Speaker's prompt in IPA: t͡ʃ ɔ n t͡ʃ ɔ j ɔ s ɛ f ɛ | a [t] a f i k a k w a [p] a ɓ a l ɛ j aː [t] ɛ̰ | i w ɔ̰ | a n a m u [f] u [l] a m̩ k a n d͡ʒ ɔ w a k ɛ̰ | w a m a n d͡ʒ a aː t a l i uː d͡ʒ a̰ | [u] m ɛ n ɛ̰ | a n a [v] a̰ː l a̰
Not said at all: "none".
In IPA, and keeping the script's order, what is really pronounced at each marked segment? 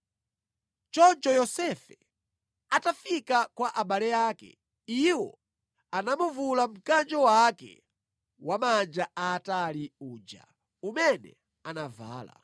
t, ʔ, k, v, l, u, v

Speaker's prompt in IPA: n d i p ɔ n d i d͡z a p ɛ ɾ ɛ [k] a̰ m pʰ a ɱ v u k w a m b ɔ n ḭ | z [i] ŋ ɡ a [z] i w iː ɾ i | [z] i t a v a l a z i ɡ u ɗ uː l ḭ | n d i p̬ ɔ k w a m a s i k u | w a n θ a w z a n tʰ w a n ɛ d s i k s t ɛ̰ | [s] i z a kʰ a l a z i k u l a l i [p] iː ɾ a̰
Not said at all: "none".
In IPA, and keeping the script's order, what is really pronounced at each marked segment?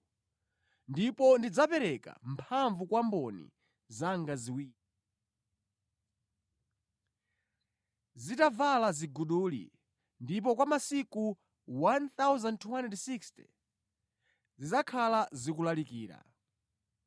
k, a, z, z, z, k

